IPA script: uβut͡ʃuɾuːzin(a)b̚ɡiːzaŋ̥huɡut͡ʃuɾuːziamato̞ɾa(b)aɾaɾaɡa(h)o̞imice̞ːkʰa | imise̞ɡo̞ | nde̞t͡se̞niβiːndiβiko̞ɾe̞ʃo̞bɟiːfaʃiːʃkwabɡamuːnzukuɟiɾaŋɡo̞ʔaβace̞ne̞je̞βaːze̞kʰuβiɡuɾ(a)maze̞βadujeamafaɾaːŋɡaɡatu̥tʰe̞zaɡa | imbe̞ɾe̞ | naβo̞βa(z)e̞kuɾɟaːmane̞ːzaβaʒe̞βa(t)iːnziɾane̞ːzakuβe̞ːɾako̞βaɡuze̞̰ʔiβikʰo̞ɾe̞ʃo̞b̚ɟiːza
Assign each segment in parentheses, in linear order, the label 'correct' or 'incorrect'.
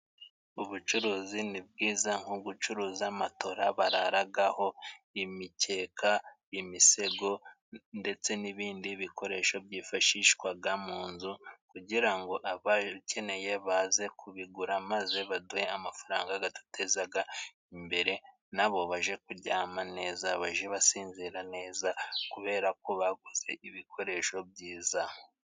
incorrect: i, incorrect: β, correct, correct, incorrect: ʒ, incorrect: s

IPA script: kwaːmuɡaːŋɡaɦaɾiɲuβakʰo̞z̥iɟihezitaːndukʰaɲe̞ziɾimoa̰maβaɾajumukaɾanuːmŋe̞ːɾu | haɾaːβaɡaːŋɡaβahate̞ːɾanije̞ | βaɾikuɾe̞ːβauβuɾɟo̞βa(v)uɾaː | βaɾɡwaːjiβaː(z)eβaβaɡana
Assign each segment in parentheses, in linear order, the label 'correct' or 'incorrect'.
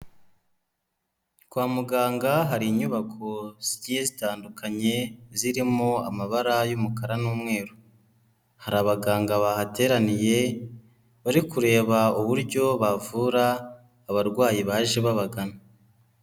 correct, incorrect: ʒ

